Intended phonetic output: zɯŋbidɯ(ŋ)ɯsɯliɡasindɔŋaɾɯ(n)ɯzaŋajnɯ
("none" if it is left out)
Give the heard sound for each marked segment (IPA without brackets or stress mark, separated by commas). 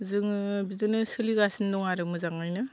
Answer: n, m